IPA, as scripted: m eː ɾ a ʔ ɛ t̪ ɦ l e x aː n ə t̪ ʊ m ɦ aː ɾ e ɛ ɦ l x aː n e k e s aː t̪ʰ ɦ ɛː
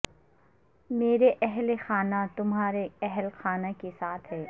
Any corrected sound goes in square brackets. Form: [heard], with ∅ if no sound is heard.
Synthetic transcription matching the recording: m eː ɾ [e] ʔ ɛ [∅] ɦ l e x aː n [a] t̪ ʊ m ɦ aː ɾ e ɛ ɦ l x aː n [a] k e s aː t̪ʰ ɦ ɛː